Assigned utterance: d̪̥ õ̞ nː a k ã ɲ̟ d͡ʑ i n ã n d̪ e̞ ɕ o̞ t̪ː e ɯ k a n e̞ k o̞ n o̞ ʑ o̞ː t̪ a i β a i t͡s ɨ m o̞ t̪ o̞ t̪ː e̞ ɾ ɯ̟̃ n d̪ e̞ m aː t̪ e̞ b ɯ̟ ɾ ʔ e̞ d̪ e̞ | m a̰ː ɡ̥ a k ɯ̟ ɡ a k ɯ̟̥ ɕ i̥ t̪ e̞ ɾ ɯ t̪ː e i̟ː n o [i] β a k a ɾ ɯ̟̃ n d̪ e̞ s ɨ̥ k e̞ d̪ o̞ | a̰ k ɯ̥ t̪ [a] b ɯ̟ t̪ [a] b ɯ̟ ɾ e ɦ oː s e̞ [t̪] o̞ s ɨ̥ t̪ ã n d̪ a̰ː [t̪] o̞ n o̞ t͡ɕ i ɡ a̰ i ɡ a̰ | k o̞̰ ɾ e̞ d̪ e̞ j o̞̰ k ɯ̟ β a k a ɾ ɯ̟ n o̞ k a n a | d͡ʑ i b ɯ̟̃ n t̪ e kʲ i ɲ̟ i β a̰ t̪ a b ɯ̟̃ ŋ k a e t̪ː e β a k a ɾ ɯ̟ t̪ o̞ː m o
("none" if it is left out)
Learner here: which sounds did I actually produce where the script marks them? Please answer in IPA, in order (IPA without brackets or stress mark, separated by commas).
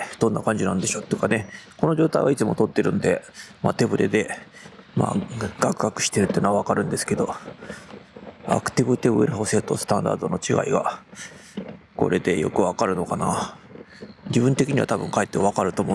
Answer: a, i, e, t̪, d̪